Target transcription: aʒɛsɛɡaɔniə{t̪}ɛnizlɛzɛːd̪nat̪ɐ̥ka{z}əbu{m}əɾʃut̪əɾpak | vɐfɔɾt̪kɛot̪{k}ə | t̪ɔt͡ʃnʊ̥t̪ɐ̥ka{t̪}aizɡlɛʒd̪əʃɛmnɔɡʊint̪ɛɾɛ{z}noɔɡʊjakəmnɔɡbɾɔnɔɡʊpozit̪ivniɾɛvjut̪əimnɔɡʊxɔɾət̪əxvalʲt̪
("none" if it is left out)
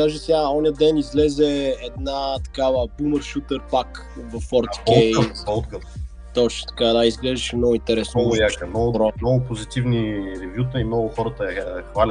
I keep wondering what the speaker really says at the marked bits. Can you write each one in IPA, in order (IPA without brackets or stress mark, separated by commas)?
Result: d̪, v, m, k, d̪, s